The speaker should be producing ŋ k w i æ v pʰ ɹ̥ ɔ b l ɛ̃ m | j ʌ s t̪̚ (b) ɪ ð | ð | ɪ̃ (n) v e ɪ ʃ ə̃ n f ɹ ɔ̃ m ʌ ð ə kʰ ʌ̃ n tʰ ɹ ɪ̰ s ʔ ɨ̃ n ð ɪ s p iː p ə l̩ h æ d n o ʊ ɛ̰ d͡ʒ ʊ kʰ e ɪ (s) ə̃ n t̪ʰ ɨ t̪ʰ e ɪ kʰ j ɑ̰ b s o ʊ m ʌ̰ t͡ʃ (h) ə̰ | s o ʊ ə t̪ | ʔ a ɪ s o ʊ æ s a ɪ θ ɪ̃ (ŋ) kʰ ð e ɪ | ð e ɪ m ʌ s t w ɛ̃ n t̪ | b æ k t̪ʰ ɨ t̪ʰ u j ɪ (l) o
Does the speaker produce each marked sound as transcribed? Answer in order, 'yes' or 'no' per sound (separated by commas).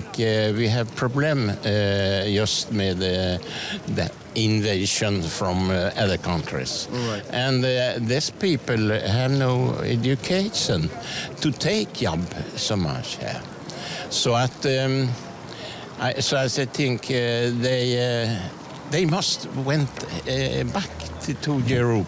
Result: no, yes, no, yes, yes, no